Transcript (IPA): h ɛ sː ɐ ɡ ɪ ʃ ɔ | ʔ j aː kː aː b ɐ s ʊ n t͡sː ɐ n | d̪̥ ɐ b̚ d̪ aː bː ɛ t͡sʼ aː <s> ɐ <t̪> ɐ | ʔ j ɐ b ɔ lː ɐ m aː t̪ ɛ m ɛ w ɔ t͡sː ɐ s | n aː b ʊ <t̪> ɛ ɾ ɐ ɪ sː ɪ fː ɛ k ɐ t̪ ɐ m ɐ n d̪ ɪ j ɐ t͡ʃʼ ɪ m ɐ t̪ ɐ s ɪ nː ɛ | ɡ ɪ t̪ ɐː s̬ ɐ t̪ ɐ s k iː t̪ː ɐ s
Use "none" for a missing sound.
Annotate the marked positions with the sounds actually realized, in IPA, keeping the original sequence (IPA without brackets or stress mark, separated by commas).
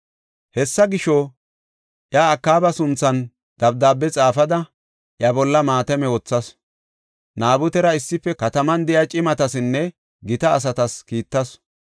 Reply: f, d̪, t̪